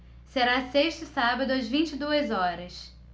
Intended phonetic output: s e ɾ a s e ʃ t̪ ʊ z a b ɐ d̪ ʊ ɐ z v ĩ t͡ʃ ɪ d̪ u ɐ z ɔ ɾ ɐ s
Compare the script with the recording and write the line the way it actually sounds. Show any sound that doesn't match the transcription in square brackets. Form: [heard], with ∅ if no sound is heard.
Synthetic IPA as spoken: s e ɾ a s e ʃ t̪ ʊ [s] a b ɐ d̪ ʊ ɐ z v ĩ t͡ʃ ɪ d̪ u ɐ z ɔ ɾ ɐ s

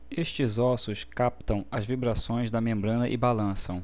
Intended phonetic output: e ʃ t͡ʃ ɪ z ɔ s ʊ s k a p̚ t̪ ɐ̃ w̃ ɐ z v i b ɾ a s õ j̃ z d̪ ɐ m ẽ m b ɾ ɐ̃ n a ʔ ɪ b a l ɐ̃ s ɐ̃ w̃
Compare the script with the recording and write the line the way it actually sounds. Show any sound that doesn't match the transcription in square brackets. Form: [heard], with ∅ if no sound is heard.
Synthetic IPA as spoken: e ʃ t͡ʃ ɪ z ɔ s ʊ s k a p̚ t̪ ɐ̃ w̃ ɐ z v i b ɾ a s õ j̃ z d̪ ɐ m ẽ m b ɾ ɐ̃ n [ɐ] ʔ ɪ b a l ɐ̃ s ɐ̃ w̃

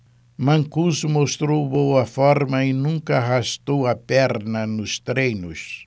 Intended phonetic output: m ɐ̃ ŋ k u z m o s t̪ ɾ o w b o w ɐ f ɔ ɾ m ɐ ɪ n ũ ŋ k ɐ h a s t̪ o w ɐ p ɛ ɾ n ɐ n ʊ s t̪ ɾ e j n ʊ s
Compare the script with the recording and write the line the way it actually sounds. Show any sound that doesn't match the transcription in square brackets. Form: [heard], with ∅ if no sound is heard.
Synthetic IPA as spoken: m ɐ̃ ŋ k u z m o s t̪ ɾ o w b o w ɐ f ɔ ɾ m ɐ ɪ n ũ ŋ k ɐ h a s t̪ o w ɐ p ɛ ɾ n ɐ n ʊ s t̪ ɾ e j n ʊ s

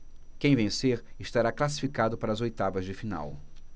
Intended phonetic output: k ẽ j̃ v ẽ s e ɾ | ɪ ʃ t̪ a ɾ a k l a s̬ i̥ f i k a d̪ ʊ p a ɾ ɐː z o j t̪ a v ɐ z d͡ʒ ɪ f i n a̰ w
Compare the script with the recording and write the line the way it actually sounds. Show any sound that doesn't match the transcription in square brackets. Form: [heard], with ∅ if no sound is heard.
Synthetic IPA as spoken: k ẽ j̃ v ẽ s e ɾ | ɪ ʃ t̪ a ɾ a k l a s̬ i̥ f i k a d̪ ʊ p a ɾ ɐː z o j t̪ a v ɐ z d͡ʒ ɪ f i n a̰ w

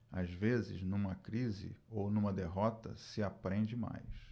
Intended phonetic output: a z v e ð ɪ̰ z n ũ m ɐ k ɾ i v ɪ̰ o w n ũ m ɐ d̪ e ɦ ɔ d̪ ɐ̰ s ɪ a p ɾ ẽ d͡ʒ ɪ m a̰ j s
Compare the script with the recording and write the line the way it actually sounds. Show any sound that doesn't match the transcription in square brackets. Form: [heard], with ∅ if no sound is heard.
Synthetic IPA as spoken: a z v e [z] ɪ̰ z n ũ m ɐ k ɾ i [z] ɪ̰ o w n ũ m ɐ d̪ e ɦ ɔ [t̪] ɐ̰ s ɪ a p ɾ ẽ d͡ʒ ɪ m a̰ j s

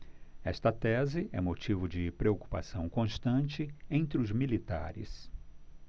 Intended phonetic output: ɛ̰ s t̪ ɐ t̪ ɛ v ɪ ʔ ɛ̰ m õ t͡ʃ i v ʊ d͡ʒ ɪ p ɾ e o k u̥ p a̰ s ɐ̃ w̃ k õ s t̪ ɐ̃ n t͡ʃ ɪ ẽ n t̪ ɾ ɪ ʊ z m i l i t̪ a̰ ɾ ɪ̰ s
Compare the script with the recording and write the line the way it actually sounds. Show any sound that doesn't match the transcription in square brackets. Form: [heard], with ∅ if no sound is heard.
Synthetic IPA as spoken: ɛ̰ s t̪ ɐ t̪ ɛ [z] ɪ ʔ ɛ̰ m [o] t͡ʃ i v ʊ d͡ʒ ɪ p ɾ e o k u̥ p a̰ s ɐ̃ w̃ k õ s t̪ ɐ̃ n t͡ʃ ɪ ẽ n t̪ ɾ ɪ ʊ z m i l i t̪ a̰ ɾ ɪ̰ s

